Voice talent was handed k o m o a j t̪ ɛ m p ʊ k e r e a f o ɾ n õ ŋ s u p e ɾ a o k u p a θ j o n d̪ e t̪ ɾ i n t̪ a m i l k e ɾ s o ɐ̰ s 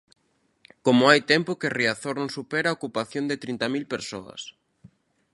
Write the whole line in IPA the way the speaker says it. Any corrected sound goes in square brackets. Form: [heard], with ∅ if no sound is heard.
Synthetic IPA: k o m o a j t̪ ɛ m p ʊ k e r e a [θ] o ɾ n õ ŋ s u p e ɾ a o k u p a θ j o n d̪ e t̪ ɾ i n t̪ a m i l [p] e ɾ s o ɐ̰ s